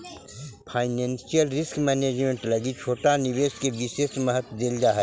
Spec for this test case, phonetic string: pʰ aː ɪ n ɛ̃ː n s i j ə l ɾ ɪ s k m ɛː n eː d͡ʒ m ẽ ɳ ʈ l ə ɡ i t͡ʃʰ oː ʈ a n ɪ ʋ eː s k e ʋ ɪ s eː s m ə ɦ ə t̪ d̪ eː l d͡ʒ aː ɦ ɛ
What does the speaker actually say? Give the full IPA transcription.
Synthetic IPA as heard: pʰ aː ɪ n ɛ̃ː n s i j ə l ɾ ɪ s k m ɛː n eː d͡ʒ m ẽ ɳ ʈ l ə ɡ i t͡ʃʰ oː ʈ a n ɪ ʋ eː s k e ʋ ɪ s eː s m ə ɦ ə t̪ d̪ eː l d͡ʒ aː ɦ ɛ

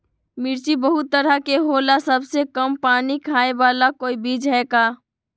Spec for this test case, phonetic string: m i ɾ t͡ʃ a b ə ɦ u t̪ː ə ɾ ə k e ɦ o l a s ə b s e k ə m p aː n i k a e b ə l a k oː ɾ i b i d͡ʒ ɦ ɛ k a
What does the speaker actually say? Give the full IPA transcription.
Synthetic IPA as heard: m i ɾ t͡ʃ i b ə ɦ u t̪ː ə ɾ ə k e ɦ o l a s ə b s e k ə m p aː n i kʰ a e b a l a k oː i b i d͡ʒ ɦ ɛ k a

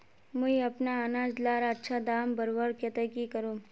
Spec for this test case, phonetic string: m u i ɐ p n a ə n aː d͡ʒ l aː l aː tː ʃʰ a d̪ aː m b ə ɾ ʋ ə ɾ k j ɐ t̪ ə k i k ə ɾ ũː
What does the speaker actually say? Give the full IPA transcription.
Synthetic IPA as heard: m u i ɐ p n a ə n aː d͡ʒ l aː ɾ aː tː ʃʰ a d̪ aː m b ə ɾ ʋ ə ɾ k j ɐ t̪ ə k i k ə ɾ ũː

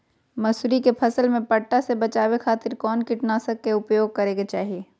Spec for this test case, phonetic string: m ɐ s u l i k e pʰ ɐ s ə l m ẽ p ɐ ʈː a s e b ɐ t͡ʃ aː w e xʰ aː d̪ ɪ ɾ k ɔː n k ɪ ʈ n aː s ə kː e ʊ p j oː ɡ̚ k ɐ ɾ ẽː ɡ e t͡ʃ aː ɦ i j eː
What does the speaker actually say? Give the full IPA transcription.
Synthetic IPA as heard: m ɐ s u ɾ i k e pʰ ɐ s ə l m ẽ p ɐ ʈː a s e b ɐ t͡ʃ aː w e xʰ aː t̪ ɪ ɾ k ɔː n k ɪ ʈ n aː s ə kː e ʊ p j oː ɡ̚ k ɐ ɾ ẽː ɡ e t͡ʃ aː ɦ i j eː

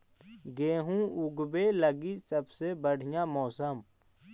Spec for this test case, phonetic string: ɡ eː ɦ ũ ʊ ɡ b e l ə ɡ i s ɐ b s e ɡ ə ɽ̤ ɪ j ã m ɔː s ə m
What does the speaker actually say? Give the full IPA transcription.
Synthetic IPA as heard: ɡ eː ɦ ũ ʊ ɡ b e l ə ɡ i s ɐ b s e b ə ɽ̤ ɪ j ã m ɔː s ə m

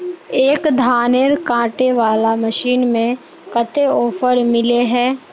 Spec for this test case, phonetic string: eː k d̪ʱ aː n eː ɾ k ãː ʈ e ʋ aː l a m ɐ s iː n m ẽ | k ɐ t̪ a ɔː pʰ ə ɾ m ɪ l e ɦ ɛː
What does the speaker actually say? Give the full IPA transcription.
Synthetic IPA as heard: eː k d̪ʱ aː n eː ɾ k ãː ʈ e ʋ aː l a m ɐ ʃ iː n m ẽ | k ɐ t̪ e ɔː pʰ ə ɾ m ɪ l e ɦ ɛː

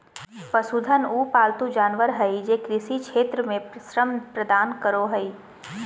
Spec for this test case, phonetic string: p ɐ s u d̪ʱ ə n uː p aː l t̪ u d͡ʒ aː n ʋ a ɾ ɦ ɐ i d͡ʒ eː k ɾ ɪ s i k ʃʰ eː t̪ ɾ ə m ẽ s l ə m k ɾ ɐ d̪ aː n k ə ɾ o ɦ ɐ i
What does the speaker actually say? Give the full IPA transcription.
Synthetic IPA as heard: p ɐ s u d̪ʱ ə n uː p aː l t̪ u d͡ʒ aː n ʋ ə ɾ ɦ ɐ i d͡ʒ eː k ɾ ɪ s i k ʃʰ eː t̪ ɾ ə m ẽ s ɾ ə m p ɾ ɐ d̪ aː n k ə ɾ o ɦ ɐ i

